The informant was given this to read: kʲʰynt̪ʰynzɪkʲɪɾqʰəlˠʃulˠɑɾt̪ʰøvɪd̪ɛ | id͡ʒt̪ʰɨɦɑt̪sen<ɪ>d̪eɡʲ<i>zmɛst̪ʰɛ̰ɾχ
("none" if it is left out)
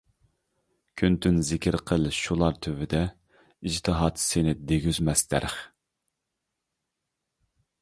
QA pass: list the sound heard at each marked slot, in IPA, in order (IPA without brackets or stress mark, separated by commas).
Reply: ɪ, y